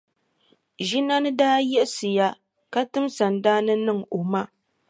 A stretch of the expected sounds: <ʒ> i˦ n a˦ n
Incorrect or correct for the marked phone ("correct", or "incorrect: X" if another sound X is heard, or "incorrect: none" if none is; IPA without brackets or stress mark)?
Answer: correct